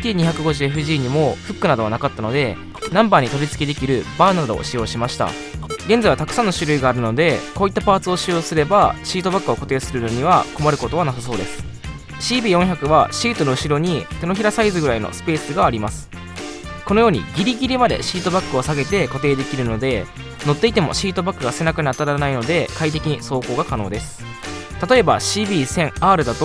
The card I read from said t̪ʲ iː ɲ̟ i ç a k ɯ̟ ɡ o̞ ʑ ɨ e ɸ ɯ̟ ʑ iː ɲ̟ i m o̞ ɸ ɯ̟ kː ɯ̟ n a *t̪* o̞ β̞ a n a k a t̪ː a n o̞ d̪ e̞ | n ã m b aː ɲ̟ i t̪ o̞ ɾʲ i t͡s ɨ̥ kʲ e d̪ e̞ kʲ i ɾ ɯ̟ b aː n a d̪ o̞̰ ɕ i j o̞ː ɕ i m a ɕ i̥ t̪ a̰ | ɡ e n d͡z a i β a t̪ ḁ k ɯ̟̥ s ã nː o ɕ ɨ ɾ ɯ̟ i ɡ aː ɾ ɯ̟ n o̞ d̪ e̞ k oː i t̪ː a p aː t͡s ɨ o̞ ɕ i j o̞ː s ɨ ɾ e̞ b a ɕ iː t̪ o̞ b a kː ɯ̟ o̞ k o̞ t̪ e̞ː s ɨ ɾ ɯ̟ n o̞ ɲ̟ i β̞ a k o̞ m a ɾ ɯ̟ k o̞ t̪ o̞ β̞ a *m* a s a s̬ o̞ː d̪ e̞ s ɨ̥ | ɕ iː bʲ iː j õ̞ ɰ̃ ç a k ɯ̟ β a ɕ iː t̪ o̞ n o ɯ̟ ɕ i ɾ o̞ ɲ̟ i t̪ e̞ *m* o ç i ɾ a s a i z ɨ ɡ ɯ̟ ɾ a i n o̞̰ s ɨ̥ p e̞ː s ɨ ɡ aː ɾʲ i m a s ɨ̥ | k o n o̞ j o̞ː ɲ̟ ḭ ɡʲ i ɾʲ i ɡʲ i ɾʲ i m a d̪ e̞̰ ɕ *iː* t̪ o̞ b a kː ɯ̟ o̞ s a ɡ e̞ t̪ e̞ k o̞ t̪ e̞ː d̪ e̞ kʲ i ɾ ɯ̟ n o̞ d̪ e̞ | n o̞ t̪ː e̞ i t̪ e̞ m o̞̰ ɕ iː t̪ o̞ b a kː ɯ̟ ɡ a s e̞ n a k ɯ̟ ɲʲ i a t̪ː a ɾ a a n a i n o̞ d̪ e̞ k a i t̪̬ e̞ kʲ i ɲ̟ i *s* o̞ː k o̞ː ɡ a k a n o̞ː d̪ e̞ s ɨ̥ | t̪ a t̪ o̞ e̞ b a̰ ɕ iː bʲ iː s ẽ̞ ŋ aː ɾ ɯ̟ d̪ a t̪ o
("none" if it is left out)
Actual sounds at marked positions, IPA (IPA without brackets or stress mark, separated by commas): d̪, n, n, iː, s